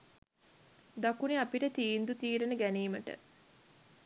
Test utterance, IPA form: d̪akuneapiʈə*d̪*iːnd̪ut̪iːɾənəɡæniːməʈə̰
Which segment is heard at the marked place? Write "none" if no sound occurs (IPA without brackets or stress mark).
t̪